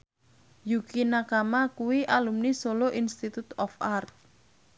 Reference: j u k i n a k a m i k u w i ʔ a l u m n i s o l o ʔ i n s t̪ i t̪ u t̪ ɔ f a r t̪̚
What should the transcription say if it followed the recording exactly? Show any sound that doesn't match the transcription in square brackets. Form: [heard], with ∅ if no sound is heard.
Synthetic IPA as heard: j u k i n a k a m [a] k u w i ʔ a l u m n i s o l o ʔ i n s t̪ i t̪ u t̪ ɔ f a r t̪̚